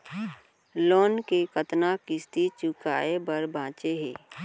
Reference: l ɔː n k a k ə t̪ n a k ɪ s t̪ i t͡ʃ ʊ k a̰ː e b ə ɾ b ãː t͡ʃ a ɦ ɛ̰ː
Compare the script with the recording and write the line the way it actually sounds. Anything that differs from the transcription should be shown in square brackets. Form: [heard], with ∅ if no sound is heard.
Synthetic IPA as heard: l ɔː n k [e] k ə t̪ n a k ɪ s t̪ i t͡ʃ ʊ k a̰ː e b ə ɾ b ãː t͡ʃ [e] ɦ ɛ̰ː